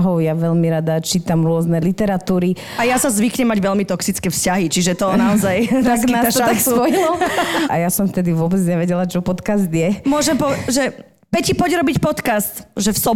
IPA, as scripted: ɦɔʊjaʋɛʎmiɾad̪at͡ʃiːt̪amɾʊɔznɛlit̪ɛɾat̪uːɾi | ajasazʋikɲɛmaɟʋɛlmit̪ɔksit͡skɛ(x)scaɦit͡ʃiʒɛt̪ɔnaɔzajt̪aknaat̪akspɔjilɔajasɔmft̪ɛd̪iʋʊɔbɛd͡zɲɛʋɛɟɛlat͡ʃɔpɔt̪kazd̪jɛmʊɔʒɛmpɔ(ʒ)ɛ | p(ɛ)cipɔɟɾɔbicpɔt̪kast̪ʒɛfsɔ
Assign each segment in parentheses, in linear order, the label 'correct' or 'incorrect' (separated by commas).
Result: incorrect, correct, correct